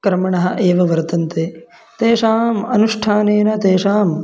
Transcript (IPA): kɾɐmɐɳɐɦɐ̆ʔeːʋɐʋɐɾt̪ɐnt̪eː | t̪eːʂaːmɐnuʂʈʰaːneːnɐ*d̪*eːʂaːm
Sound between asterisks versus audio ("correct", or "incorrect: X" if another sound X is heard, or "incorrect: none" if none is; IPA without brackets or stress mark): incorrect: t̪